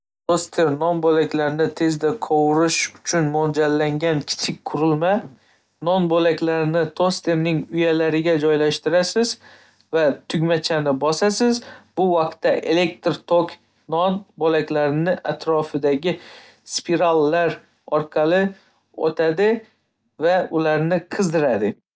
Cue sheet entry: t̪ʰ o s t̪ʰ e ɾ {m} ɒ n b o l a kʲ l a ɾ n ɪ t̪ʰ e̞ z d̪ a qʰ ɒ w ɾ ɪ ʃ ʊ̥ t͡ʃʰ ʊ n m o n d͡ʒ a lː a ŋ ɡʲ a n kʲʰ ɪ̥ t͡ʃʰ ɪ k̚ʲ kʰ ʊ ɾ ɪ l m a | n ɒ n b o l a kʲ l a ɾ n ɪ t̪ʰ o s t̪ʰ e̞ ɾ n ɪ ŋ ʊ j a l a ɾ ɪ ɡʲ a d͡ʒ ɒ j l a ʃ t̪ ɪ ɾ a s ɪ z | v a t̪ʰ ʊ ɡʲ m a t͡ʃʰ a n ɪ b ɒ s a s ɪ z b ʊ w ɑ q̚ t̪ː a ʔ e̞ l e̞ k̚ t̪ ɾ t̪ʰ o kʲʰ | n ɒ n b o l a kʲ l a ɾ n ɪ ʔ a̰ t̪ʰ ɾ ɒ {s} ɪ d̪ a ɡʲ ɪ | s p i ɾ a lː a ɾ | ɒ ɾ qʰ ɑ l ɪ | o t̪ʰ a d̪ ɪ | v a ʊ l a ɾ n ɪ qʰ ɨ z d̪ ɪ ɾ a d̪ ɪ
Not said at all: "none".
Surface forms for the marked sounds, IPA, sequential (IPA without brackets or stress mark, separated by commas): n, f